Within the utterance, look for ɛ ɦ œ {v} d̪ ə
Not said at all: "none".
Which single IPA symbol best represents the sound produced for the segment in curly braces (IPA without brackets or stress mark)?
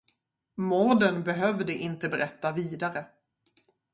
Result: v